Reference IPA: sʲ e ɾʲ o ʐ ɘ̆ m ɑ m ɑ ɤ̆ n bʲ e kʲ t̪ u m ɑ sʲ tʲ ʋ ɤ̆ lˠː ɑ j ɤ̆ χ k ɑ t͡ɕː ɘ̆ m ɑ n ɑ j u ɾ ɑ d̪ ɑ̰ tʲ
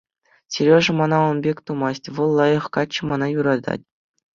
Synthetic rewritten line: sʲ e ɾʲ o ʐ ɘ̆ m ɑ n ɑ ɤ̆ n bʲ e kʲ t̪ u m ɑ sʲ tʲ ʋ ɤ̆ lˠː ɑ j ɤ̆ χ k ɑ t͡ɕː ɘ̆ m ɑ n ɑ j u ɾ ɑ d̪ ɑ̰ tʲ